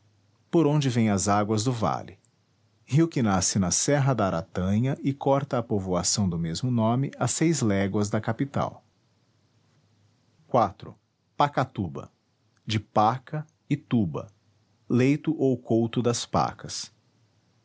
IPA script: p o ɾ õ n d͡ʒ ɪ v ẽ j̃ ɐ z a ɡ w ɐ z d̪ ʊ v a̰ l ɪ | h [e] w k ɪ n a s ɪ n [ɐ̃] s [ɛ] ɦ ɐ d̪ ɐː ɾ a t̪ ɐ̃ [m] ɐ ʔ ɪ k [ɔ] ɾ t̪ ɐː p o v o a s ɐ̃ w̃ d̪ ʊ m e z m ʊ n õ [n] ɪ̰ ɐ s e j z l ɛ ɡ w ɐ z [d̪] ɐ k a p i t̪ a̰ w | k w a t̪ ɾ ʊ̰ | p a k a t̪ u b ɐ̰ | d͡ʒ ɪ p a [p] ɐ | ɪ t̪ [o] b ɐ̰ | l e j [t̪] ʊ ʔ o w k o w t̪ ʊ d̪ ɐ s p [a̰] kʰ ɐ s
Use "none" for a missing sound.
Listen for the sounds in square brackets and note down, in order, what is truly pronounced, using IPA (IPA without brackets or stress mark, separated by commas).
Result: i, ɐ, ɛ, ɲ, ɔ, m, d̪, k, u, t̪, a̰